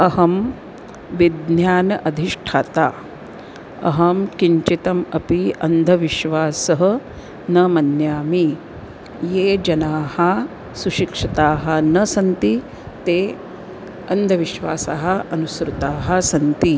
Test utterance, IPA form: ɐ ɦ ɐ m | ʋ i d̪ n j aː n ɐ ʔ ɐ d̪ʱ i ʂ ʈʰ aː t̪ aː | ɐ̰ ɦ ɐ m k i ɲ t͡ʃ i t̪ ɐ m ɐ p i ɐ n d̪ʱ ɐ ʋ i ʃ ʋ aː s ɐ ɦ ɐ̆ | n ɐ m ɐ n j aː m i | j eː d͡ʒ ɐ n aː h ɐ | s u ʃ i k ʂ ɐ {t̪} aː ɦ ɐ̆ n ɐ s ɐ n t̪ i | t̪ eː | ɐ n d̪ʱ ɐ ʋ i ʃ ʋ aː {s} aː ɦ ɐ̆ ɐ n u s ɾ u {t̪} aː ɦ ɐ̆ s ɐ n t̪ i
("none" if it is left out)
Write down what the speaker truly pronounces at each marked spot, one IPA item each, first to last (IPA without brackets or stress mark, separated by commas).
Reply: t̪, s, t̪